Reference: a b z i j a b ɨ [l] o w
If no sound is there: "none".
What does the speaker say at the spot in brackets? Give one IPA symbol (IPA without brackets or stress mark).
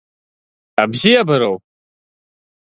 ɾ